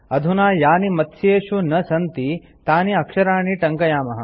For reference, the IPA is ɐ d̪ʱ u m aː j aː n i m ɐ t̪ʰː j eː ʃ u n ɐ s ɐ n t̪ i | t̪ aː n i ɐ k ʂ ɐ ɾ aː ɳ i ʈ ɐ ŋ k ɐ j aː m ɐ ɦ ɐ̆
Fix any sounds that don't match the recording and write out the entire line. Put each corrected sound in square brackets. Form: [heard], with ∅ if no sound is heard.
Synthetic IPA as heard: ɐ d̪ʱ u [n] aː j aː n i m ɐ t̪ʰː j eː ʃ u n ɐ s ɐ n t̪ i | t̪ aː n i ɐ k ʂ ɐ ɾ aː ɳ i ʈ ɐ ŋ k ɐ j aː m ɐ ɦ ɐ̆